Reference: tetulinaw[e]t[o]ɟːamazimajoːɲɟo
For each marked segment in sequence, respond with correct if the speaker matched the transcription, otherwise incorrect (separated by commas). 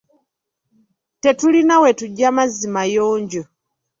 correct, incorrect